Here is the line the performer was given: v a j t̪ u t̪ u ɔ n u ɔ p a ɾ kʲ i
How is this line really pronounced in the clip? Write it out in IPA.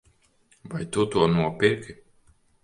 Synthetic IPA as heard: v a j t̪ u t̪ u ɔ n u ɔ p i ɾ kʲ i